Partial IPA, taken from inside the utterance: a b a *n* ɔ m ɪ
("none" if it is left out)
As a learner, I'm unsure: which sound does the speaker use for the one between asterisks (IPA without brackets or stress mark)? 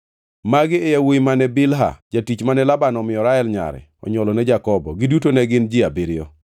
n